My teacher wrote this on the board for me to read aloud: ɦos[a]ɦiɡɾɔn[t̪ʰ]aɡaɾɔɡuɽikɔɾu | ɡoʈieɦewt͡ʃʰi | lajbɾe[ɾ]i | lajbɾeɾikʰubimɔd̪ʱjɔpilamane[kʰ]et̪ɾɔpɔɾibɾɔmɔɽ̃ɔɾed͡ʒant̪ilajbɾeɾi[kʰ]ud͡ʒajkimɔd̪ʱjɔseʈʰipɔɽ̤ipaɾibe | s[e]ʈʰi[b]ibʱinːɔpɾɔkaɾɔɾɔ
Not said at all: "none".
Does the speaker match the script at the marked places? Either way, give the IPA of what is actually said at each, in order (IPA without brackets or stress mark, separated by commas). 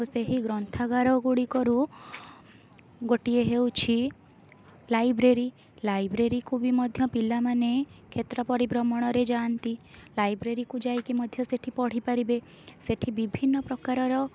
e, t̪ʰ, ɾ, kʰ, k, e, b